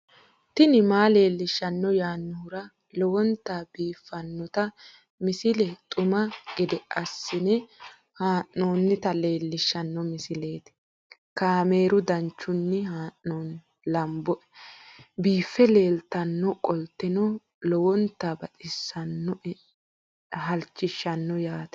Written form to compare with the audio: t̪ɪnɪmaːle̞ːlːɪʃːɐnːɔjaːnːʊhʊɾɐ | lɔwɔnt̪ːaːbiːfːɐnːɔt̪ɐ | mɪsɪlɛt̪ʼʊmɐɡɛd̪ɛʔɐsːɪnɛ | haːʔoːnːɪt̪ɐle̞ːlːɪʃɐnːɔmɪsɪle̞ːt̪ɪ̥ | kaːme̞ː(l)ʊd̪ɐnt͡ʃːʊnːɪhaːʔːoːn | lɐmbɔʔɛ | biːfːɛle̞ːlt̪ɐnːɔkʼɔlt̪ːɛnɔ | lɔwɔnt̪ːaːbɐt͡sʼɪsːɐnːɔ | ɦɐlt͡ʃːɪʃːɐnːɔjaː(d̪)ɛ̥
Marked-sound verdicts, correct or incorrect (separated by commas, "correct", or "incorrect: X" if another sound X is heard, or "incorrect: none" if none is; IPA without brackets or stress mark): incorrect: ɾ, incorrect: t̪